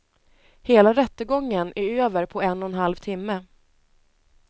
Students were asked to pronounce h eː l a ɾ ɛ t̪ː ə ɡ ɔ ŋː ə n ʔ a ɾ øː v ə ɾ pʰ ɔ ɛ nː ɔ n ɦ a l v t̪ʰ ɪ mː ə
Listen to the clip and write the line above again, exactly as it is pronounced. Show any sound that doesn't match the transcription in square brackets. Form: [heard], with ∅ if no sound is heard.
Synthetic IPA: h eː l a ɾ ɛ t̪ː ə ɡ ɔ ŋː ə n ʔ [æ] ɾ øː v ə ɾ pʰ ɔ ɛ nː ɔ n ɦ a l v t̪ʰ ɪ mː ə